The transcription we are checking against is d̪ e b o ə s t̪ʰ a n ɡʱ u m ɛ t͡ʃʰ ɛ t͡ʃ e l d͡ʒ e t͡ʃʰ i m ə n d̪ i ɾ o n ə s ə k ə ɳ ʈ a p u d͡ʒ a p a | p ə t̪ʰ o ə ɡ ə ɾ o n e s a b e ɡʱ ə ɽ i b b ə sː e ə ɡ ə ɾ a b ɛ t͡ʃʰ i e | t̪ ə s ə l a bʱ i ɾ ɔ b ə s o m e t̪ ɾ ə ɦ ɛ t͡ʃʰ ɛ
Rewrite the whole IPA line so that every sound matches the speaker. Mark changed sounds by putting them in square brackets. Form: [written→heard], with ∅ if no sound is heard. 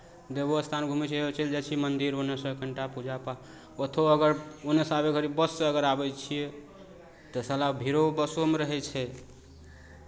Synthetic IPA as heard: d̪ e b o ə s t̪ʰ a n ɡʱ u m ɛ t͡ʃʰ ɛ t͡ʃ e l d͡ʒ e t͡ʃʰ i m ə n d̪ i ɾ o n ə s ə k ə ɳ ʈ a p u d͡ʒ a p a | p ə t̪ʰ o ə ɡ ə ɾ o n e s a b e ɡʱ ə [ɽ→ɾ] i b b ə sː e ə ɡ ə ɾ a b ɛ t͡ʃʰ i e | t̪ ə s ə l a bʱ i ɾ [ɔ→o] b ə s o m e [t̪→∅] ɾ ə ɦ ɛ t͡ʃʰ ɛ